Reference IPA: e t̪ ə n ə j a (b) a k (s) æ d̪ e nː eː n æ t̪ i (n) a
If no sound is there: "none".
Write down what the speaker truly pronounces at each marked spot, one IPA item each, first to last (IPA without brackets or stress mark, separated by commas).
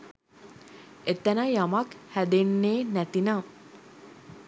m, h, n